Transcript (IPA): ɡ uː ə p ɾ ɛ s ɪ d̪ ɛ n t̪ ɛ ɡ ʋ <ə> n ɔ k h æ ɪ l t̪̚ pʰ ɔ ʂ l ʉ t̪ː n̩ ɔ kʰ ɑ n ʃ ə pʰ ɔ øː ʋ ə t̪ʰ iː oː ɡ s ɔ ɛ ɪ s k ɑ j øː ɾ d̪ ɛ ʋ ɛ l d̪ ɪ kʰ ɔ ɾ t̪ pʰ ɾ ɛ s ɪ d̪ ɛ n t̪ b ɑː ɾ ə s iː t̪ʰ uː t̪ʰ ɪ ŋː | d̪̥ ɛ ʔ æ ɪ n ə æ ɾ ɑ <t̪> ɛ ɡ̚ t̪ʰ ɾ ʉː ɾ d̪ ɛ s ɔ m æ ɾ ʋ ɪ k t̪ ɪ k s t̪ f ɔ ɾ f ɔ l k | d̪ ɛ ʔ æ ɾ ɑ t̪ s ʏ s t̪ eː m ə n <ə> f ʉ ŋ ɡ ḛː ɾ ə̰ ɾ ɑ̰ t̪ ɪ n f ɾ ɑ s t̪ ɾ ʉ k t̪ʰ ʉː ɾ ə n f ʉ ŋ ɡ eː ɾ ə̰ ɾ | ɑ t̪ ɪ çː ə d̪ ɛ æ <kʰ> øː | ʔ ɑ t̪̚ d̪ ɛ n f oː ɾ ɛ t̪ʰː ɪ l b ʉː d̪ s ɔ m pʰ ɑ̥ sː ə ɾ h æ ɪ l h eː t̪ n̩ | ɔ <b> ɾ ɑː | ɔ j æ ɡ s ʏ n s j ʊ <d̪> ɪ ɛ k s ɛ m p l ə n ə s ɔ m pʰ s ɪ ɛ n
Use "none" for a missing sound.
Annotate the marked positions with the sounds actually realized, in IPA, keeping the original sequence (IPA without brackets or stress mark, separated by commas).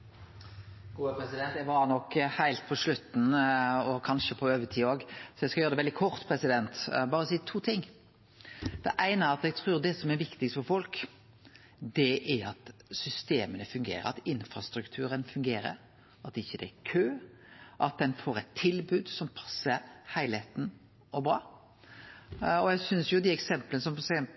ɑ, t̪, ə, kʰ, b, d̪